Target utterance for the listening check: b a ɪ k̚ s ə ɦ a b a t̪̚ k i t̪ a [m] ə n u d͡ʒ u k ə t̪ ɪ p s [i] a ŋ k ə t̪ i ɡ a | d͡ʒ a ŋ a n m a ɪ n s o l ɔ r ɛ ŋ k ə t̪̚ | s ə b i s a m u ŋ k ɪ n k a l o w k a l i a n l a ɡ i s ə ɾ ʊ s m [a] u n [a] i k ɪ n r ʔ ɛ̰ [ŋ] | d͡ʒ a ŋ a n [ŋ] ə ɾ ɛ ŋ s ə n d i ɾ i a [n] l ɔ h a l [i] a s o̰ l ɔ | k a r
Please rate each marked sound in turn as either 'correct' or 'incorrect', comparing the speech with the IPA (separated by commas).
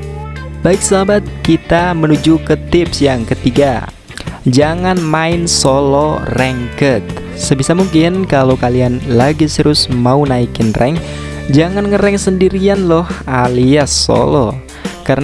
correct, incorrect, correct, correct, correct, correct, correct, correct